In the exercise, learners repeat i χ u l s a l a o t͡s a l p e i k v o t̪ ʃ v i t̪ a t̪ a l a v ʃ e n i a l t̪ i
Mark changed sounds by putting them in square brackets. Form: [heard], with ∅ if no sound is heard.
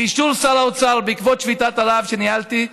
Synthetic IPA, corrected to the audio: i [ʃ] u l s a l a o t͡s a l [b] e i k v o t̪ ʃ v i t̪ a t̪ a l a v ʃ e n i a l t̪ i